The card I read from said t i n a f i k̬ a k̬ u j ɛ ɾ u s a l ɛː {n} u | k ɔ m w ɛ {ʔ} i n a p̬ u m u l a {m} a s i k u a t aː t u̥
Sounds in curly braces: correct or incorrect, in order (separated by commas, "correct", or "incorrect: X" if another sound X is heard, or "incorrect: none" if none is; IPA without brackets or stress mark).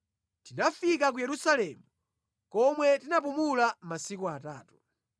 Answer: incorrect: m, incorrect: t, correct